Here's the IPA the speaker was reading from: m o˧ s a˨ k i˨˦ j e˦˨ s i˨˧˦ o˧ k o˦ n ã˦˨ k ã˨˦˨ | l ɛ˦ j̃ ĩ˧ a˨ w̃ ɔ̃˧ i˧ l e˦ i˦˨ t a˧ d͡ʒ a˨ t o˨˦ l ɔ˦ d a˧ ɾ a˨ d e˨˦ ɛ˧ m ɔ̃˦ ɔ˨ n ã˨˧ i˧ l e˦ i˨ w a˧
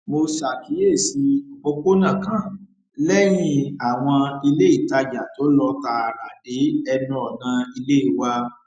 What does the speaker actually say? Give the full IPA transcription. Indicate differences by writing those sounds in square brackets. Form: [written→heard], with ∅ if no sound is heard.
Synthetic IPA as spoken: m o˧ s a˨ k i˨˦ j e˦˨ s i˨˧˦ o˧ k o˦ n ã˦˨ k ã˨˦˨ | l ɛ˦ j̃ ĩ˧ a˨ w̃ ɔ̃˧ i˧ l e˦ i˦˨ t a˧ d͡ʒ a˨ t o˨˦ l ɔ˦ [d→t] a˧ ɾ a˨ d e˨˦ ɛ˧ [m→n] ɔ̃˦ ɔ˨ n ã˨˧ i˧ l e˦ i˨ w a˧